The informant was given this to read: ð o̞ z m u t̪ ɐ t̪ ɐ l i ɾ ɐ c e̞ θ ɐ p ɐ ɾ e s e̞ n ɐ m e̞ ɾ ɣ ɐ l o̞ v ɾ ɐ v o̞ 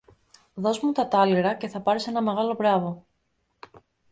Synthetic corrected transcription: ð o̞ z m u t̪ ɐ t̪ ɐ l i ɾ ɐ c e̞ θ ɐ p ɐ ɾ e s e̞ n ɐ m e̞ ɣ ɐ l o̞ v ɾ ɐ v o̞

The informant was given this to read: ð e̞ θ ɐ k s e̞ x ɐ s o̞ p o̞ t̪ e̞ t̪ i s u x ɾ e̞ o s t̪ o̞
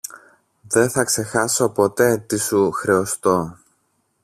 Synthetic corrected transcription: ð e̞ θ ɐ k s e̞ x ɐ s o̞ p o̞ t̪ e̞ t̪ i s u x ɾ e̞ o s t̪ o̞

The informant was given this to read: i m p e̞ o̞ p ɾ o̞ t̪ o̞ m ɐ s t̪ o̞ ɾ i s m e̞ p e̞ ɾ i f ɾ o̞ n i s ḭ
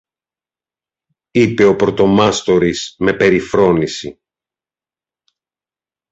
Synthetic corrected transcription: i p e̞ o̞ p ɾ o̞ t̪ o̞ m ɐ s t̪ o̞ ɾ i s m e̞ p e̞ ɾ i f ɾ o̞ n i s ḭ

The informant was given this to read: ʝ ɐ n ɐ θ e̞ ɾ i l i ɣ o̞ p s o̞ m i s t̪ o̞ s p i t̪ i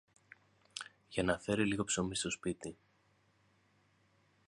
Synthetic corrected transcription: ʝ ɐ n ɐ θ e̞ ɾ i l i ɣ o̞ p s o̞ m i s t̪ o̞ s p i t̪ i

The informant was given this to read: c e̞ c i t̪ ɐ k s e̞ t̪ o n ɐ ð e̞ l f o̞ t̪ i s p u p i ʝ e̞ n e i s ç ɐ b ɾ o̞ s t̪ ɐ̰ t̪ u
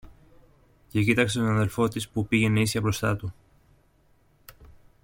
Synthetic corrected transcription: c e̞ c i t̪ ɐ k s e̞ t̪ o n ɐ ð e̞ l f o̞ t̪ i s p u p i ʝ e̞ n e i s ç ɐ b ɾ o̞ s t̪ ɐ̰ t̪ u

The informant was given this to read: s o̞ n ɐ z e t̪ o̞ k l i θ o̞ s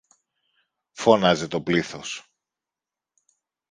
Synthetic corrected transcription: f o̞ n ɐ z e t̪ o̞ p l i θ o̞ s

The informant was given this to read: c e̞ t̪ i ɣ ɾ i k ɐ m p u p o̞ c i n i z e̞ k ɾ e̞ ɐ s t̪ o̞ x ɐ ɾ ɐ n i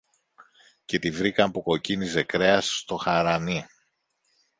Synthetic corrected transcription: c e̞ t̪ i v ɾ i k ɐ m p u k o̞ c i n i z e̞ k ɾ e̞ ɐ s t̪ o̞ x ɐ ɾ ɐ n i

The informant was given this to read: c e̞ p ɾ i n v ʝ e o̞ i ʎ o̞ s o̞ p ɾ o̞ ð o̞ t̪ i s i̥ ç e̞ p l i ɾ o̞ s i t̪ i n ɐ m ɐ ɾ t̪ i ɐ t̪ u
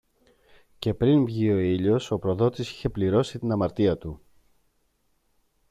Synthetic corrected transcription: c e̞ p ɾ i n v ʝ i o̞ i ʎ o̞ s o̞ p ɾ o̞ ð o̞ t̪ i s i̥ ç e̞ p l i ɾ o̞ s i t̪ i n ɐ m ɐ ɾ t̪ i ɐ t̪ u

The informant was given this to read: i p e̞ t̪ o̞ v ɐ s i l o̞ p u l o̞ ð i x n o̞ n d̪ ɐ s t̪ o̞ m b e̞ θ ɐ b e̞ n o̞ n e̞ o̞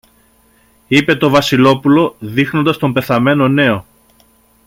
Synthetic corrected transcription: i p e̞ t̪ o̞ v ɐ s i l o̞ p u l o̞ ð i x n o̞ n d̪ ɐ s t̪ o̞ m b e̞ θ ɐ m e̞ n o̞ n e̞ o̞

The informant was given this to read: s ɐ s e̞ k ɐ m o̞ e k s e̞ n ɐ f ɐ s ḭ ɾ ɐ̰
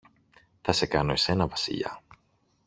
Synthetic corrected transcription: θ ɐ s e̞ k ɐ n o̞ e s e̞ n ɐ v ɐ s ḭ ʎ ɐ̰

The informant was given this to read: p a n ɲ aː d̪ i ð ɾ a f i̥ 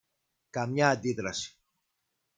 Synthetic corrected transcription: k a m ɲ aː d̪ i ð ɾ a s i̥

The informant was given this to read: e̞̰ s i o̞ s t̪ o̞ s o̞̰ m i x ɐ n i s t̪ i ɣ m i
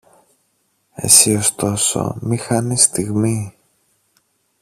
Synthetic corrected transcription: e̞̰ s i o̞ s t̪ o̞ s o̞̰ m i x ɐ n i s t̪ i ɣ m i

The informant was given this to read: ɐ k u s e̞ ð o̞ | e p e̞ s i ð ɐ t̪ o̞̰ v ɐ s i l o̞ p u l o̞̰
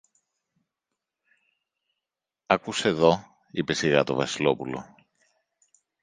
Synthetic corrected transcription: ɐ k u s e̞ ð o̞ | i p e̞ s i ɣ ɐ t̪ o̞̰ v ɐ s i l o̞ p u l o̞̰

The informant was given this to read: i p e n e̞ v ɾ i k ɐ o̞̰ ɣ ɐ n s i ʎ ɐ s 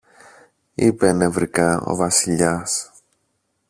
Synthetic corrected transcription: i p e n e̞ v ɾ i k ɐ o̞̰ v ɐ s i ʎ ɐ s

